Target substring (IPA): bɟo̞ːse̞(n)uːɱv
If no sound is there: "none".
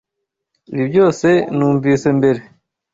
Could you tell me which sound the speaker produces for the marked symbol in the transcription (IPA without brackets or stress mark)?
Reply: n